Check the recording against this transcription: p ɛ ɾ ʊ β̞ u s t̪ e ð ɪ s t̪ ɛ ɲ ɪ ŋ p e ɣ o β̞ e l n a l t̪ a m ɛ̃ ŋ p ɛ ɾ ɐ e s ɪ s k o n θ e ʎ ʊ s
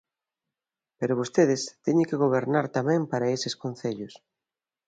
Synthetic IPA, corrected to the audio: p e ɾ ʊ β̞ o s t̪ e ð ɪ s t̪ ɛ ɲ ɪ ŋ k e ɣ o β̞ e ɾ n a ɾ t̪ a m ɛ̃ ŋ p a ɾ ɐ e s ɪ s k o n θ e ʎ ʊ s

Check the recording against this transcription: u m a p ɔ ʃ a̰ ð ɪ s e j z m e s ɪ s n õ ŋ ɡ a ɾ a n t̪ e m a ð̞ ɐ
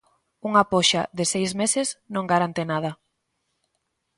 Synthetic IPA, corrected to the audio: u ŋ a p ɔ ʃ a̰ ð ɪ s e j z m e s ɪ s n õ ŋ ɡ a ɾ a n t̪ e n a ð̞ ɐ

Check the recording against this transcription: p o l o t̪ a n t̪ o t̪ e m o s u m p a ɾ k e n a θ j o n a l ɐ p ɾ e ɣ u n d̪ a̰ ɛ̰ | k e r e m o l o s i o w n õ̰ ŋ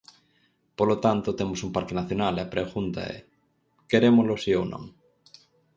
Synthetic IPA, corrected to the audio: p o l o t̪ a n t̪ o t̪ e m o s u m p a ɾ k e n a θ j o n a l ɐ p ɾ e ɣ u n t̪ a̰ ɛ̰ | k e ɾ e m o l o s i o w n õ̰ ŋ

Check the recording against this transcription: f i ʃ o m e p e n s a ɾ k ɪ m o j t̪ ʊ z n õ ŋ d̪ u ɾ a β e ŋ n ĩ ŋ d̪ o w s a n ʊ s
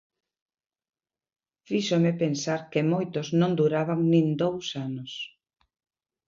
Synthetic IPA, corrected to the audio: f i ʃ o m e p e n s a ɾ k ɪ m o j t̪ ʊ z n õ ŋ d̪ u ɾ a β a ŋ n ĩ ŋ d̪ o w s a n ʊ s

